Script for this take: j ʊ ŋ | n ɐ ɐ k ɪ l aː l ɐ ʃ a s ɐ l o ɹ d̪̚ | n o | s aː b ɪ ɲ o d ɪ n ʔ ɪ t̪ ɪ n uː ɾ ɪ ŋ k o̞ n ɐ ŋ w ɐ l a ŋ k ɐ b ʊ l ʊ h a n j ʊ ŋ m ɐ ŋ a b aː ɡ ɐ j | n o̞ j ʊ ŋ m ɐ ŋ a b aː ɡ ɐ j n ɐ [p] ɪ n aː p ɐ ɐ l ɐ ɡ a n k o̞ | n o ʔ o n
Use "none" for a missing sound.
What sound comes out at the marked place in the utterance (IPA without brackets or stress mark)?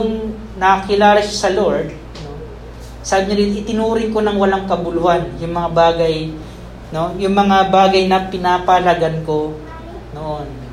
p